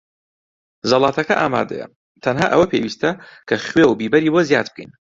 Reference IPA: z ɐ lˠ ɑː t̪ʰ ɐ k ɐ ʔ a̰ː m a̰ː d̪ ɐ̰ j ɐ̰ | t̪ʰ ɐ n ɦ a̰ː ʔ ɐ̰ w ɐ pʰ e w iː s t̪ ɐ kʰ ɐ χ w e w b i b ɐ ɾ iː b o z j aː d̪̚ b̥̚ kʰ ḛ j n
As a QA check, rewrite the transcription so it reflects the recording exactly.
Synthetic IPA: z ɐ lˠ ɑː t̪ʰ ɐ k ɐ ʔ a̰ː m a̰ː d̪ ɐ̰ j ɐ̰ | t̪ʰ ɐ n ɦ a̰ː ʔ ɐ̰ w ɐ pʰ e w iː s t̪ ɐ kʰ ɐ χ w e w b i b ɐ ɾ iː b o z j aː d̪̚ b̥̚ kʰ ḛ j n